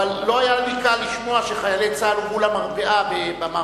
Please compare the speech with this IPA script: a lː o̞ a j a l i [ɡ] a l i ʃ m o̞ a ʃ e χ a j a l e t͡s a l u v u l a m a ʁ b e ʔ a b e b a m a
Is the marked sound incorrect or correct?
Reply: incorrect